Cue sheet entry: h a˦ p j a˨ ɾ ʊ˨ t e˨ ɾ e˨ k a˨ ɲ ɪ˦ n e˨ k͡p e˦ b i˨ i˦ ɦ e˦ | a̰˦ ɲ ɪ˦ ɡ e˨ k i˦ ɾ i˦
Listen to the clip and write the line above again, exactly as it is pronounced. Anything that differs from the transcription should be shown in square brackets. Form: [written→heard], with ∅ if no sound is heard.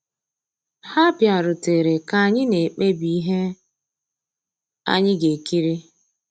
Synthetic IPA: h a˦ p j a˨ ɾ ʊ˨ t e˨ ɾ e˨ k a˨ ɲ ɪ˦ n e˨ k͡p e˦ b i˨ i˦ ɦ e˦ | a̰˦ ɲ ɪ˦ ɡ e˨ k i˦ ɾ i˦